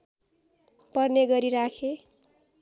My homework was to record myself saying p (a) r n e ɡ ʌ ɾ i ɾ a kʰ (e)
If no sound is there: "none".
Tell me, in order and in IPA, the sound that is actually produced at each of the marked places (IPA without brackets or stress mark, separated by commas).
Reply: ʌ, e